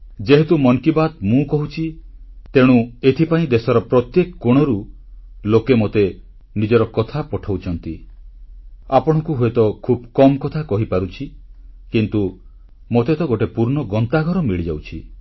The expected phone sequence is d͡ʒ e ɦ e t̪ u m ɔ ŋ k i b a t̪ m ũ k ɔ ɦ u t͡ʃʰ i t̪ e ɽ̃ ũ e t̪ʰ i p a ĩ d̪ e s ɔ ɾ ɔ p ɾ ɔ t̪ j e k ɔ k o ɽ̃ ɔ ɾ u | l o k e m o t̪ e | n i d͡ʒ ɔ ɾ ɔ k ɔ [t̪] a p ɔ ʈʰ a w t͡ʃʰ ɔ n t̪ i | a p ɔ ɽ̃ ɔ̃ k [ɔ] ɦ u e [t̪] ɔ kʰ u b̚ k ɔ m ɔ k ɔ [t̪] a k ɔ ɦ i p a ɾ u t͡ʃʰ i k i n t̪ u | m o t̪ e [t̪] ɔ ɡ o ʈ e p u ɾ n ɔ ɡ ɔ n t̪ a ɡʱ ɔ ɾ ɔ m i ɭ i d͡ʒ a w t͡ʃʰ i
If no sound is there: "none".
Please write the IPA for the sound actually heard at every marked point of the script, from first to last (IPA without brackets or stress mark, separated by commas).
t̪ʰ, u, t̪, t̪ʰ, t̪